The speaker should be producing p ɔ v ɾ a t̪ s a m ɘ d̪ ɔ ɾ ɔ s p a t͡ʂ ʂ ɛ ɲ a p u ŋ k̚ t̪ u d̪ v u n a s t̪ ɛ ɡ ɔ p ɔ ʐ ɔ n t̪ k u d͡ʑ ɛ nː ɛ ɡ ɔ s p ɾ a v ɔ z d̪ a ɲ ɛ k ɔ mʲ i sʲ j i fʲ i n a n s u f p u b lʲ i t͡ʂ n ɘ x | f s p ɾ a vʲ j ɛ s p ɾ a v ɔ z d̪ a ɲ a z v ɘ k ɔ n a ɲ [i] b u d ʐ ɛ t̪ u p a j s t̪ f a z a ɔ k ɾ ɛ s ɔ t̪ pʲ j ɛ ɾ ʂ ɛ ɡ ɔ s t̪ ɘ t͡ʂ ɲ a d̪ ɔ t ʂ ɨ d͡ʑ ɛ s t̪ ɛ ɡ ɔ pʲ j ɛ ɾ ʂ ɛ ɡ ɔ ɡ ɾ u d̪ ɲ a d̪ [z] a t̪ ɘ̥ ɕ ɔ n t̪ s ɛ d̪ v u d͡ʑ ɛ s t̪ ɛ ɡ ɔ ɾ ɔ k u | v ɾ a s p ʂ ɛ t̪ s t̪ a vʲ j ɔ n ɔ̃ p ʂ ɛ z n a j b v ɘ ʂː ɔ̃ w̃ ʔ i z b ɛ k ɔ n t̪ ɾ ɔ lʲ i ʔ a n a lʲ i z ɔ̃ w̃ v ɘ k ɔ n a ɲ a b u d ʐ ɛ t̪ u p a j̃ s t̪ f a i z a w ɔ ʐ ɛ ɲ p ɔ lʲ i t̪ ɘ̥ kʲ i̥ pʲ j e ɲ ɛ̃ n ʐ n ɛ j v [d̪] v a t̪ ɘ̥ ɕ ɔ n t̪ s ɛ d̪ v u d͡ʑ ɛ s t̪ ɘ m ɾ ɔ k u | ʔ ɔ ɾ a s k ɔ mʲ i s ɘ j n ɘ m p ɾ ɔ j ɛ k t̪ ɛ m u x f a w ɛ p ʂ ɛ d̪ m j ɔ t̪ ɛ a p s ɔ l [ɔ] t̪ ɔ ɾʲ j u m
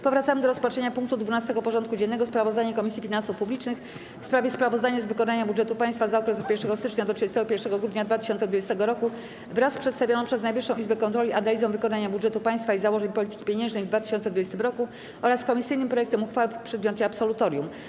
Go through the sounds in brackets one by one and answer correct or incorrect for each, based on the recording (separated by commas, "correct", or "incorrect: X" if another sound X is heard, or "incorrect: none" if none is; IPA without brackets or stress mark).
incorrect: a, incorrect: v, correct, incorrect: u